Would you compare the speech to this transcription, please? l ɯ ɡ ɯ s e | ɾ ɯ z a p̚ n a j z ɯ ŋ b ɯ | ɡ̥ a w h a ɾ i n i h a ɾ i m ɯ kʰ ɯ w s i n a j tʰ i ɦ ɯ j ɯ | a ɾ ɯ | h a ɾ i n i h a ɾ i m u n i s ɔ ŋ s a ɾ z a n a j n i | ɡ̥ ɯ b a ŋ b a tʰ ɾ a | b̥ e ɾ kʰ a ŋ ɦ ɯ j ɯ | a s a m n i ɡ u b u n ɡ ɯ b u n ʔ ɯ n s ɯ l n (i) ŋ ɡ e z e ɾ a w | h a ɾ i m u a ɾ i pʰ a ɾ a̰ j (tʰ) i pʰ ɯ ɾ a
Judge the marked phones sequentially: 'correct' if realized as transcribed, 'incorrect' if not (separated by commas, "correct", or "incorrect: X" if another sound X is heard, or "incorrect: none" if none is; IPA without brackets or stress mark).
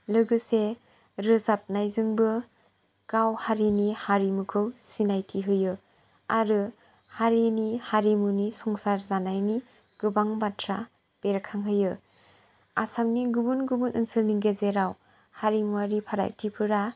correct, correct